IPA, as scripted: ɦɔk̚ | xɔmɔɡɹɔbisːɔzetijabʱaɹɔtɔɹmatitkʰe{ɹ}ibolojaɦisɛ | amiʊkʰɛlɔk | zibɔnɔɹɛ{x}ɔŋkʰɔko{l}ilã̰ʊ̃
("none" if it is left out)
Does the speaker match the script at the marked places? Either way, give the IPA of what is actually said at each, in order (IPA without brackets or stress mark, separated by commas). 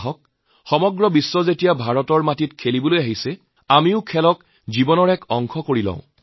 l, k, ɹ